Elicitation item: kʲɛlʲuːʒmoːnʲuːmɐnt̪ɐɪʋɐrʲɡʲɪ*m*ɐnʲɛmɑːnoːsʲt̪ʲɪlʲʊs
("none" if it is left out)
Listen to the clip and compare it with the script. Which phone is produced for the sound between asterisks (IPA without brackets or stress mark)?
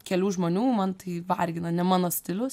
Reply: n